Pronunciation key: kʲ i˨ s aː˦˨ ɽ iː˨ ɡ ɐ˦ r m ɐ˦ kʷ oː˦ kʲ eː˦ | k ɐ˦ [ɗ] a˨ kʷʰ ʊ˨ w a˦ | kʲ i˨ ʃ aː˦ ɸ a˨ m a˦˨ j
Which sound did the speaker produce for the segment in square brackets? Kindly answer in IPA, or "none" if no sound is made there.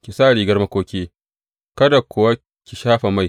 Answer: d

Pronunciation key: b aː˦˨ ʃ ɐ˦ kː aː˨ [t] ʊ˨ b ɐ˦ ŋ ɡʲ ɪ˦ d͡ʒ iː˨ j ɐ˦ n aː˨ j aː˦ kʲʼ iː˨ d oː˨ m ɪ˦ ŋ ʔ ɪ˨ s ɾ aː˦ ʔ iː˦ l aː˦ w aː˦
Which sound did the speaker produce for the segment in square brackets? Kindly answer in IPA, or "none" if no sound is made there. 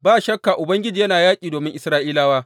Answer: ʔ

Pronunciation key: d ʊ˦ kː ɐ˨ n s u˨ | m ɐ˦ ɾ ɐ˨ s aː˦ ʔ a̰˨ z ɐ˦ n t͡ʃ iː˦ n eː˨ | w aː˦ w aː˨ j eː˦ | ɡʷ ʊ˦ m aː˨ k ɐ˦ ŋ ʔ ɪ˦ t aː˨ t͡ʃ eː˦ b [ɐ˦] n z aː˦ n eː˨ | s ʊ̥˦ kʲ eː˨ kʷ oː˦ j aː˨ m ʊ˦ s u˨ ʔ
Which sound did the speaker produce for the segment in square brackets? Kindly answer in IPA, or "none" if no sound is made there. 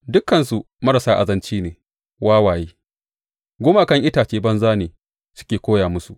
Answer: ɐ˦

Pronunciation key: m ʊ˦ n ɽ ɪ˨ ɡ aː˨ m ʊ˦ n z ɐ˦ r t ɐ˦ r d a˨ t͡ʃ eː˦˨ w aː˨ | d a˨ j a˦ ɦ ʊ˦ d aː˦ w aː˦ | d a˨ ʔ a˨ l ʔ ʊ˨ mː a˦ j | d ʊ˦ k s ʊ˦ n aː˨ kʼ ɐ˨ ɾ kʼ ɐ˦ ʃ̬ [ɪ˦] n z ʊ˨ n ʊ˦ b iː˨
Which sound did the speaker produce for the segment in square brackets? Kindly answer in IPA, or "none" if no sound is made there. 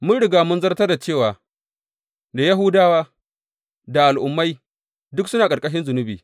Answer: ɪ˦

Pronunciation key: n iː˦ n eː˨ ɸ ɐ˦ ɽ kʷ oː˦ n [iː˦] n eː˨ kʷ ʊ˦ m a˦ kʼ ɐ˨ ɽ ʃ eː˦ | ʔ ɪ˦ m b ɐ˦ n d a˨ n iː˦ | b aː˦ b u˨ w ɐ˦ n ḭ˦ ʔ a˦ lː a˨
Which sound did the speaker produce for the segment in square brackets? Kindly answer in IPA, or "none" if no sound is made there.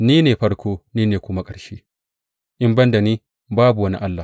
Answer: iː˦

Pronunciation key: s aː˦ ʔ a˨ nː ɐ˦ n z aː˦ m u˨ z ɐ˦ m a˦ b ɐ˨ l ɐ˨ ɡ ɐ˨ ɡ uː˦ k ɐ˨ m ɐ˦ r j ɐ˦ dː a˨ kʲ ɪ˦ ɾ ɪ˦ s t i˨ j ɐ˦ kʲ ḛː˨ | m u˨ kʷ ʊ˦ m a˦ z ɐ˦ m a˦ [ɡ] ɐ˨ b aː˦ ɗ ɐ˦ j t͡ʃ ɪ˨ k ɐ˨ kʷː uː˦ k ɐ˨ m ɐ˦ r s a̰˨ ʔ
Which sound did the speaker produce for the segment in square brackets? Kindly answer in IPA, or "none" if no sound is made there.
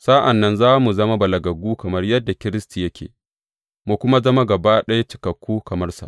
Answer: ɡ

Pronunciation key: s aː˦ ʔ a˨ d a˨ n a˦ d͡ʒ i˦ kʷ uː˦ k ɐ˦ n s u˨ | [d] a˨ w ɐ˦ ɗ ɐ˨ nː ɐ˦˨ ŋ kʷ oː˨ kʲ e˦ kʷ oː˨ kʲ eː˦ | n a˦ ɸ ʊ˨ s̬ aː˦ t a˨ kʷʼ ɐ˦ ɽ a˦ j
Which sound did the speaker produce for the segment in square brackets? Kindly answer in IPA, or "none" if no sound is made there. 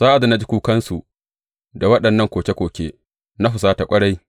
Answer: d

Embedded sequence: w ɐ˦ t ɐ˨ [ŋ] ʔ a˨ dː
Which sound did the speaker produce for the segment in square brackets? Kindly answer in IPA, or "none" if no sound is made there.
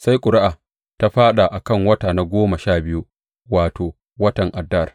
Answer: ŋ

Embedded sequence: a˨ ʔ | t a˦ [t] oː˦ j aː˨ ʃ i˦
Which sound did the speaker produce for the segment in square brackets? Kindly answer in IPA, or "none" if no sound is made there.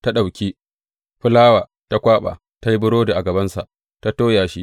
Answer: t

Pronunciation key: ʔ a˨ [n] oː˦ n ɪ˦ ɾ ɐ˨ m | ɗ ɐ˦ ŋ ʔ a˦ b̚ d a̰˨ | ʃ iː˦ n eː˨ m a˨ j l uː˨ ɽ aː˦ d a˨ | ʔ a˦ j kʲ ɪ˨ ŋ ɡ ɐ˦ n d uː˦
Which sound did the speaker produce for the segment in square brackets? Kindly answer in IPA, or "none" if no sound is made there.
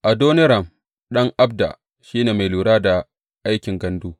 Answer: d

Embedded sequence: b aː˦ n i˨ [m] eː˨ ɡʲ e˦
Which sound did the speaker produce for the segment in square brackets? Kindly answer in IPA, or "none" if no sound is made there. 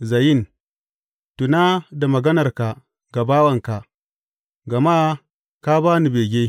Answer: b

